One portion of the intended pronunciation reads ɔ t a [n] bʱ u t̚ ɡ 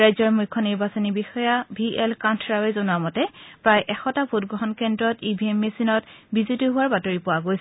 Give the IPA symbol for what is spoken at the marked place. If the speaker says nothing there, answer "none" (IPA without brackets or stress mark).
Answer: none